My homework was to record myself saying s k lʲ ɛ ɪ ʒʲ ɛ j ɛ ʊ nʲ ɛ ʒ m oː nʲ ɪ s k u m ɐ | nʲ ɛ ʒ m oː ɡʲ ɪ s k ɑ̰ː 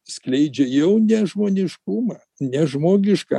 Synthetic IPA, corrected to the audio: s k lʲ ɛ ɪ d͡ʒʲ ɛ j ɛ ʊ nʲ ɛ ʒ m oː nʲ ɪ ʃ k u m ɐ | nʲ ɛ ʒ m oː ɡʲ ɪ ʃ k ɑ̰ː